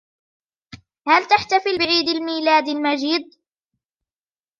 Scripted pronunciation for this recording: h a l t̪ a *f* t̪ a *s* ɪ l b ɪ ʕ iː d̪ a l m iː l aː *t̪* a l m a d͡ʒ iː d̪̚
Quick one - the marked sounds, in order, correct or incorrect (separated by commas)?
incorrect, incorrect, incorrect